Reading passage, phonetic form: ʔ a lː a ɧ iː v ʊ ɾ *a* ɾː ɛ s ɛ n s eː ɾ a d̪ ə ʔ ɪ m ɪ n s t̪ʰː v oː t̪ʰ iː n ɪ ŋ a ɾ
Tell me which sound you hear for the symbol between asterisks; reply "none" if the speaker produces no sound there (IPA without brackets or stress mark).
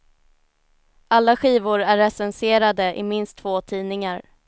æ